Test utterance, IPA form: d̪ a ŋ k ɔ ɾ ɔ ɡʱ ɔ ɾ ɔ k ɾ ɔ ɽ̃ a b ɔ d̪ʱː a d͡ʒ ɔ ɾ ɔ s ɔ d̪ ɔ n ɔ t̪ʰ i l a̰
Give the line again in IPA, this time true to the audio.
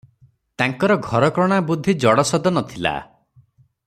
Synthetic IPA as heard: t̪ a ŋ k ɔ ɾ ɔ ɡʱ ɔ ɾ ɔ k ɾ ɔ ɽ̃ a b u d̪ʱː i d͡ʒ ɔ ɽ ɔ s ɔ d̪ ɔ n ɔ t̪ʰ i l a̰

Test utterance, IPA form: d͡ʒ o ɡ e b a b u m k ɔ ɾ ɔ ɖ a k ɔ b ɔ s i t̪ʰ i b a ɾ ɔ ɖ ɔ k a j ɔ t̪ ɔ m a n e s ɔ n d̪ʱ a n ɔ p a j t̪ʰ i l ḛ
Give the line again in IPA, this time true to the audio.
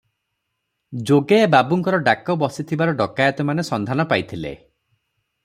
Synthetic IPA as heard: d͡ʒ o ɡ e b a b u ŋ k ɔ ɾ ɔ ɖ a k ɔ b ɔ s i t̪ʰ i b a ɾ ɔ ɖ ɔ k a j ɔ t̪ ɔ m a n e s ɔ n d̪ʱ a n ɔ p a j t̪ʰ i l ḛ

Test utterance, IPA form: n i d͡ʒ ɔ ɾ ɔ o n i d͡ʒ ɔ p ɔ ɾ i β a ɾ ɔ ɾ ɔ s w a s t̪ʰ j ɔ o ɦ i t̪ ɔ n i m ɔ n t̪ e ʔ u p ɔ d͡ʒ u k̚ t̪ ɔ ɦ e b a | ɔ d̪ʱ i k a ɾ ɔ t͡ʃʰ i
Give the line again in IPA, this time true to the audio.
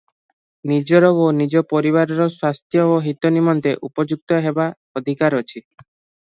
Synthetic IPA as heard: n i d͡ʒ ɔ ɾ ɔ o n i d͡ʒ ɔ p ɔ ɾ i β a ɾ ɔ ɾ ɔ s w a s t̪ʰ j ɔ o ɦ i t̪ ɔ n i m ɔ n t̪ e ʔ u p ɔ d͡ʒ u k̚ t̪ ɔ ɦ e b a | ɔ d̪ʱ i k a ɾ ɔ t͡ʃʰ i

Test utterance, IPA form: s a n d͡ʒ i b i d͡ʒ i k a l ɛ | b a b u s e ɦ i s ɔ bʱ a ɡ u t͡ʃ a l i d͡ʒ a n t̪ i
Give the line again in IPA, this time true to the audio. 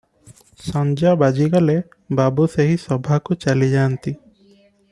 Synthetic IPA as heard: s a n d͡ʒ a b a d͡ʒ i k a l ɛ | b a b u s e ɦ i s ɔ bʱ a k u t͡ʃ a l i d͡ʒ a n t̪ i

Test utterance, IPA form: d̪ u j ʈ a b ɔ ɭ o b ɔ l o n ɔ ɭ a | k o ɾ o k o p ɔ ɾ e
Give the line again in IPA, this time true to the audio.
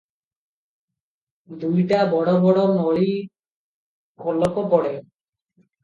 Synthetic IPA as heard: d̪ u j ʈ a b ɔ ɽ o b ɔ ɽ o n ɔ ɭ i | k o l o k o p ɔ ɽ e

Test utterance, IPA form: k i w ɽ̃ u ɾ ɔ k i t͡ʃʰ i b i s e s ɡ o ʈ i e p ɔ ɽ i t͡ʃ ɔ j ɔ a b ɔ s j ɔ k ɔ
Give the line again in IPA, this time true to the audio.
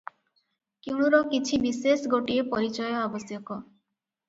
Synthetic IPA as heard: k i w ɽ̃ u ɾ ɔ k i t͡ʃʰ i b i s e s ɡ o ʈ i e p ɔ ɾ i t͡ʃ ɔ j ɔ a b ɔ s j ɔ k ɔ

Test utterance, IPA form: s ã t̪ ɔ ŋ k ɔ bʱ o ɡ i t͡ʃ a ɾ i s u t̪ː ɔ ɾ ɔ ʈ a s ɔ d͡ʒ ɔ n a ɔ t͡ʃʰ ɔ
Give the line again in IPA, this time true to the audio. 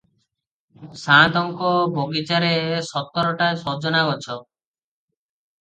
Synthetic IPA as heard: s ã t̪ ɔ ŋ k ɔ bʱ o ɡ i t͡ʃ a ɾ e s ɔ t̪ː ɔ ɾ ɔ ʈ a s ɔ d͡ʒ ɔ n a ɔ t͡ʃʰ ɔ

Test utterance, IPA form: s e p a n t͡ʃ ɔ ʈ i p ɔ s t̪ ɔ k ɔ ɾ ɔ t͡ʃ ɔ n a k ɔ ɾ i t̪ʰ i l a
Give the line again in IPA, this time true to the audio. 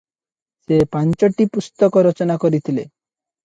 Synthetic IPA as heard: s e p a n t͡ʃ ɔ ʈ i p u s t̪ ɔ k ɔ ɾ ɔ t͡ʃ ɔ n a k ɔ ɾ i t̪ʰ i l e

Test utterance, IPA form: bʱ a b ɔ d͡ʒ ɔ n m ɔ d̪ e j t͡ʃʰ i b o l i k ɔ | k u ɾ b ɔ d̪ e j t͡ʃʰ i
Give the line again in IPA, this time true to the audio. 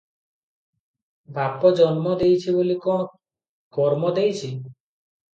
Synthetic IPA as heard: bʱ a p ɔ d͡ʒ ɔ n m ɔ d̪ e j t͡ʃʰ i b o l i k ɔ | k ɔ ɾ m ɔ d̪ e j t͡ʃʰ i

